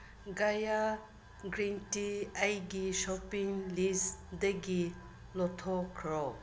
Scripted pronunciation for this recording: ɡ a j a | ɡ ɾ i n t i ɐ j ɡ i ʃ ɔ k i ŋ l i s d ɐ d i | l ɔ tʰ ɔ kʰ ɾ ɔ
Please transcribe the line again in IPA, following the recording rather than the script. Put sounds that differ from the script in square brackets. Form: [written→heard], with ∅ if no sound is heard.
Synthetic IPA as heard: ɡ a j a | ɡ ɾ i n t i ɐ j ɡ i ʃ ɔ [k→p] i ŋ l i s d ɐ [d→ɡ] i | l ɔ tʰ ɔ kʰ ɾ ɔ